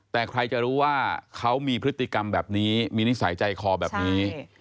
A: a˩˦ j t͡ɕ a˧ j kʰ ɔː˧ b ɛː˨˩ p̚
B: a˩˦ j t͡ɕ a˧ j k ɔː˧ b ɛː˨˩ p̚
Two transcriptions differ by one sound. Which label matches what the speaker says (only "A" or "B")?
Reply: A